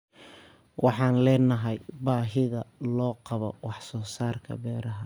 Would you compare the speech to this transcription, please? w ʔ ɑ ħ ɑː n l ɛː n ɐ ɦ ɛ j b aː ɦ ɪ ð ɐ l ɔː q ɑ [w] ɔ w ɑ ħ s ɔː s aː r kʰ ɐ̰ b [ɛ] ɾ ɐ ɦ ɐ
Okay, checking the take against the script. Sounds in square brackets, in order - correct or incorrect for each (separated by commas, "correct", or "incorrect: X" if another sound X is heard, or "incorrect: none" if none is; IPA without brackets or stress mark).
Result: incorrect: β, incorrect: ɛː